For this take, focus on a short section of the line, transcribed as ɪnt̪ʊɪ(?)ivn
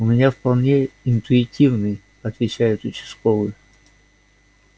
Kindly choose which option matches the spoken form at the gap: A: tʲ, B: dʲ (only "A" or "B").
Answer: A